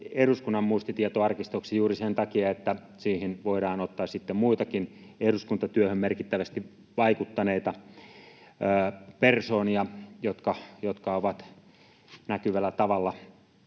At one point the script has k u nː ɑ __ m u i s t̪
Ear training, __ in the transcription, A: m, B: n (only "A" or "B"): A